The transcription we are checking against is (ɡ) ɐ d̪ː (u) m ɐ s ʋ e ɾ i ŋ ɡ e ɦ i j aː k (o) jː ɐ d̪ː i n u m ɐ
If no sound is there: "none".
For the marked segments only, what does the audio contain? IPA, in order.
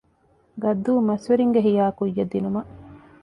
ɡ, uː, u

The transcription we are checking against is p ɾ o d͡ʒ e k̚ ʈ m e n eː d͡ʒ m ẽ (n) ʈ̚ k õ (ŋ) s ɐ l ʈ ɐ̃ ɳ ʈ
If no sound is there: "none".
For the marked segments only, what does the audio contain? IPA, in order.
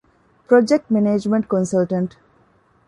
ɳ, n

